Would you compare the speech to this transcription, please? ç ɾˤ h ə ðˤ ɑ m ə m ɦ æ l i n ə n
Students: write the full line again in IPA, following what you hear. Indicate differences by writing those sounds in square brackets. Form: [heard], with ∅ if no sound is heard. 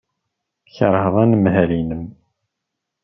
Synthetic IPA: ç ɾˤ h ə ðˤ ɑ [n] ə m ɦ æ l i n ə [m]

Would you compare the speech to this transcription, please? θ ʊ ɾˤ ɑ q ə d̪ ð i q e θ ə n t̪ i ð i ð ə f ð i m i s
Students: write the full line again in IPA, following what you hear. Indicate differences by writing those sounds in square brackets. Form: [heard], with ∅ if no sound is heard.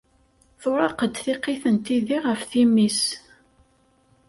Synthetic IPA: θ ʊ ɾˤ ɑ q ə d̪ [θ] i q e θ ə n t̪ i ð i [ʁ] ə f [θ] i m i s

